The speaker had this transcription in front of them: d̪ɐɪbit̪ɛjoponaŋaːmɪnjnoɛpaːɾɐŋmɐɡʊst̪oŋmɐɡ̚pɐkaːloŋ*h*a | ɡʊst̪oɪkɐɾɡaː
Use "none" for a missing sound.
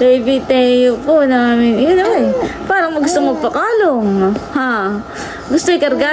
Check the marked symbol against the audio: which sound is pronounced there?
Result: h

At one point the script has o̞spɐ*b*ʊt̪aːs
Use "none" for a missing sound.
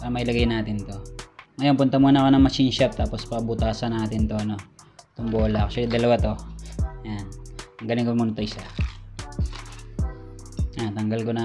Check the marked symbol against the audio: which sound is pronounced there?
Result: b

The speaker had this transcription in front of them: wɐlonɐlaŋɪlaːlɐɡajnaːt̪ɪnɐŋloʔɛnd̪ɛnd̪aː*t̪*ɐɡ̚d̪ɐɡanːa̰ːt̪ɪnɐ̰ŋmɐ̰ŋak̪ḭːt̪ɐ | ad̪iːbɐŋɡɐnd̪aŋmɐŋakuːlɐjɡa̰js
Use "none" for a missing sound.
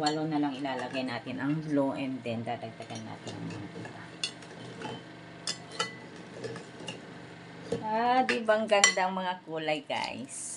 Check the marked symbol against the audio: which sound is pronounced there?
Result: d̪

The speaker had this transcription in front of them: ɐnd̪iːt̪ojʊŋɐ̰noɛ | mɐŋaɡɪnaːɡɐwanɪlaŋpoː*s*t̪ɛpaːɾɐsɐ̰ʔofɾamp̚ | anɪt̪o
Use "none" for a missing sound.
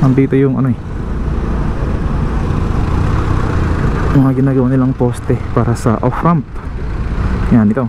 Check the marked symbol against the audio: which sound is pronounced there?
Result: s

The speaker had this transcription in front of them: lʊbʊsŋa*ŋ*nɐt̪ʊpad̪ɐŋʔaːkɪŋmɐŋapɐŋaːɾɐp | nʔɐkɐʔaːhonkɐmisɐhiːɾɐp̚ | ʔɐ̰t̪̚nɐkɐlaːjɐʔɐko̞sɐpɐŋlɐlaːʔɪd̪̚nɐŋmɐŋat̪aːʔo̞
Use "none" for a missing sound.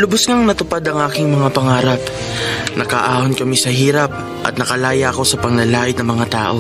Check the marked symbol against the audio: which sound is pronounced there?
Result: ŋ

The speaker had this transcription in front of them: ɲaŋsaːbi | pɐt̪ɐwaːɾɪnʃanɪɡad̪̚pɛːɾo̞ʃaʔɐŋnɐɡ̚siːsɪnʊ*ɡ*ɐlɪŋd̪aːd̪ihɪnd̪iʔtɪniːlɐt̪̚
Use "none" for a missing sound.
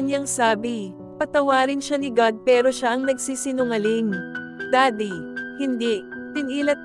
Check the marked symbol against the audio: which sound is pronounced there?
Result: ŋ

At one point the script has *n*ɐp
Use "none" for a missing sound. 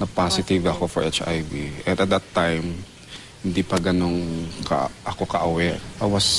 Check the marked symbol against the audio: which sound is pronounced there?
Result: n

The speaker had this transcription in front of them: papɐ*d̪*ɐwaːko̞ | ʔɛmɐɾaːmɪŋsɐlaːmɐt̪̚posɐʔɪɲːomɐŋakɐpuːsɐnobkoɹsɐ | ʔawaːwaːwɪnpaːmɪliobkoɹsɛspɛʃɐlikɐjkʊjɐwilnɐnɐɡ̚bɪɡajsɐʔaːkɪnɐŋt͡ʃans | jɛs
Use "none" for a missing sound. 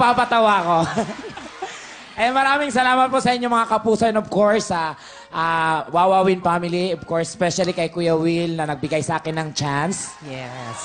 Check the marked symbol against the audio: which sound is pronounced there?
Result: t̪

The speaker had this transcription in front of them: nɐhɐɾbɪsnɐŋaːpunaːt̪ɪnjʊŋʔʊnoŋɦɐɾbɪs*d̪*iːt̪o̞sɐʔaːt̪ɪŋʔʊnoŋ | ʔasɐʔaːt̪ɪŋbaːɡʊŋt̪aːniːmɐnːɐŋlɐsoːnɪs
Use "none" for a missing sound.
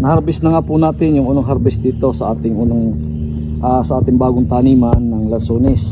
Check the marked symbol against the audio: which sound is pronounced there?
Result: d̪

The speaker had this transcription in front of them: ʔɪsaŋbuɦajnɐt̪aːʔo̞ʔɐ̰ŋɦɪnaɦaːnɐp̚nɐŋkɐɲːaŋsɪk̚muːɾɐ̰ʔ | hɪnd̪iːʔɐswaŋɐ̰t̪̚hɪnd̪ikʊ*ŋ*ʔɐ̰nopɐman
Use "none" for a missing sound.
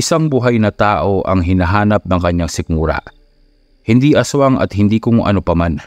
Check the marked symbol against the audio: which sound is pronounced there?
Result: ŋ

